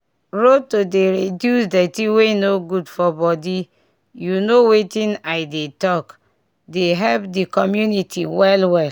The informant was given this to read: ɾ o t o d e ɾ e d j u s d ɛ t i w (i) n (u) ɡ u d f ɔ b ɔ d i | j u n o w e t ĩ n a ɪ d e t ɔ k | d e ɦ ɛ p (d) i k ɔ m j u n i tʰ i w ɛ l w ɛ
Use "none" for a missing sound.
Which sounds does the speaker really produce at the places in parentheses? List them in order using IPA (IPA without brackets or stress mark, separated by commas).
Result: e, o, d